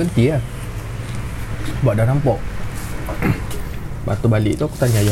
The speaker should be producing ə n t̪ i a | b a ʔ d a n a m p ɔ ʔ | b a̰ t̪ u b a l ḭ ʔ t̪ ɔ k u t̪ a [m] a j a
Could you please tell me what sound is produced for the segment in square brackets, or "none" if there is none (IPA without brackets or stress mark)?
ɲ